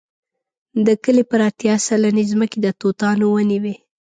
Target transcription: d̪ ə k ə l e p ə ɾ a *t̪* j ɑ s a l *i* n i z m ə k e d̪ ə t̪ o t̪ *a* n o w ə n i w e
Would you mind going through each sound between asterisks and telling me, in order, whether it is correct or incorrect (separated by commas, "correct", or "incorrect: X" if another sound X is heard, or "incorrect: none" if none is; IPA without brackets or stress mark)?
correct, incorrect: a, incorrect: ɑ